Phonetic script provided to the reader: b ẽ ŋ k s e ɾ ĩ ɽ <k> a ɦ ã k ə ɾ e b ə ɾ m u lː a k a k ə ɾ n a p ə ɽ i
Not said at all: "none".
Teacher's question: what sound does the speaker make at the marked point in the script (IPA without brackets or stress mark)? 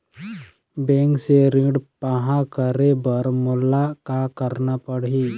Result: p